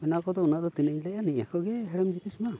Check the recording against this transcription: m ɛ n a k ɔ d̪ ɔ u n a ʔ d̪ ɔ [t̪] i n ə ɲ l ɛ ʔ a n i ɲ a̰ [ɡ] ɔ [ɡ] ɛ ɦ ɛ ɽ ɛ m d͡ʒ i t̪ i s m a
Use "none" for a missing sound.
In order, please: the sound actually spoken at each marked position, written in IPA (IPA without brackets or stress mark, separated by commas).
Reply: t̪, k, ɡ